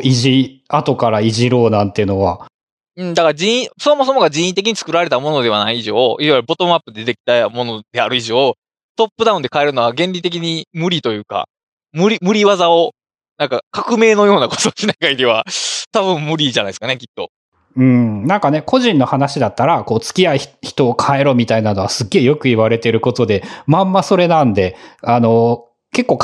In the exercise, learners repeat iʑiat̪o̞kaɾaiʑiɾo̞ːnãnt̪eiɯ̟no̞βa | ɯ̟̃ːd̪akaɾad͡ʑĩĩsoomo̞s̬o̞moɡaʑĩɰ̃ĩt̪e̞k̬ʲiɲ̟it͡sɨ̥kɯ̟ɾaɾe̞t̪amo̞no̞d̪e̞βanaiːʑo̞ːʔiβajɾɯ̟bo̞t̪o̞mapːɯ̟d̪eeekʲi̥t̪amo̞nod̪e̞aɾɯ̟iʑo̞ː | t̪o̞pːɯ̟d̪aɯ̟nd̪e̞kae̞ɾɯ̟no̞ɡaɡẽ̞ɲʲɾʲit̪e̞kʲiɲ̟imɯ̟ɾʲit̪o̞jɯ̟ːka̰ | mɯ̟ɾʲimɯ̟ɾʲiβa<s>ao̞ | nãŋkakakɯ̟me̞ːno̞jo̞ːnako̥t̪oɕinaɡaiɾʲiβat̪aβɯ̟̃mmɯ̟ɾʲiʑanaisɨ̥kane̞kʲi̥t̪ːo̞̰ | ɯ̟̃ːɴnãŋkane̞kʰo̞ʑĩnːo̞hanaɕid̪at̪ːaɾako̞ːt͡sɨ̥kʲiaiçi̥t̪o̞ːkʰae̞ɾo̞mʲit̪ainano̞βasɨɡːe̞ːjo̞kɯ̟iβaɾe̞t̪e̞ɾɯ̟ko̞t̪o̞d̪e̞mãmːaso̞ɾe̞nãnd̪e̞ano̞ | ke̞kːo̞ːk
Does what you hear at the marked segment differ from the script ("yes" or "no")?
yes